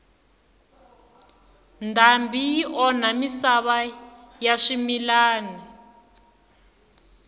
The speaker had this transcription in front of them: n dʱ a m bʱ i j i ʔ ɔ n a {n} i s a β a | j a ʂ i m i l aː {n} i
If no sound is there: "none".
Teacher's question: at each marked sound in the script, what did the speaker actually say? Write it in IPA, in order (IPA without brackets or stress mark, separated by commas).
m, n